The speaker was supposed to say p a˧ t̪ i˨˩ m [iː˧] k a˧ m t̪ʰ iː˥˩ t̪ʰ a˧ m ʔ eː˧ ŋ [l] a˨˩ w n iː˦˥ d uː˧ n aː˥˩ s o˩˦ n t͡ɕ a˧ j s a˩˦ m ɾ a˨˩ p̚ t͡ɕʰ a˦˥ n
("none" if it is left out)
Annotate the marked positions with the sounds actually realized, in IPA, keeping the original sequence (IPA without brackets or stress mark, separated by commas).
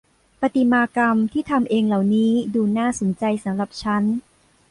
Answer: aː˧, l